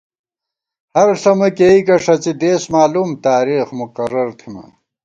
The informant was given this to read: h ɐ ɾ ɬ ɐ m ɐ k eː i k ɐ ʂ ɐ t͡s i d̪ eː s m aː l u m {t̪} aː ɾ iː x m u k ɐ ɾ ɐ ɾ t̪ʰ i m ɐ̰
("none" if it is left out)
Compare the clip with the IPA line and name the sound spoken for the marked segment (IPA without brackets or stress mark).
t̪